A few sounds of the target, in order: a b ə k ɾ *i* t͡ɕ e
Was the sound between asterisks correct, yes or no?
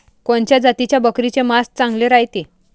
yes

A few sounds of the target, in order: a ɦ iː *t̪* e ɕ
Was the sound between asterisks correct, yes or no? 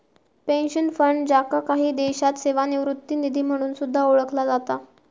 no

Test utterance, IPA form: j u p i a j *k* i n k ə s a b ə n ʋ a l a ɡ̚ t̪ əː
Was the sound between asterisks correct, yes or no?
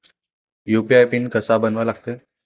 no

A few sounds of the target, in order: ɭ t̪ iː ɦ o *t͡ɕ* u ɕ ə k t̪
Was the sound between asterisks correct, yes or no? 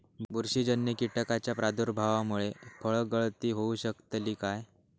no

